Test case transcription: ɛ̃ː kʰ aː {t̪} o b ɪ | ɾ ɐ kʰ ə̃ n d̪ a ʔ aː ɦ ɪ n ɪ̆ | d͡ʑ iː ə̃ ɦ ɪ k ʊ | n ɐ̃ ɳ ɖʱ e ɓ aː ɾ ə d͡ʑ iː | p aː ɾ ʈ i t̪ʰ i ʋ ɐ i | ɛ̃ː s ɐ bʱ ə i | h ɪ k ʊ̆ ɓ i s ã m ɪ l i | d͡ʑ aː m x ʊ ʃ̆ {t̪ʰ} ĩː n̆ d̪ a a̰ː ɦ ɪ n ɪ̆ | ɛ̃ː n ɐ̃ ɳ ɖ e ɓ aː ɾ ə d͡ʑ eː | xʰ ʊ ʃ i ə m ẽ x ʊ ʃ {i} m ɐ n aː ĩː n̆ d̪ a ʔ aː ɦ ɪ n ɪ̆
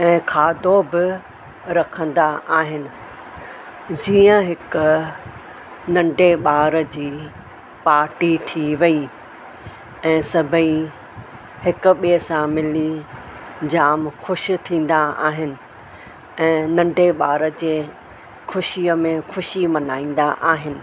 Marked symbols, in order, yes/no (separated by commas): no, yes, yes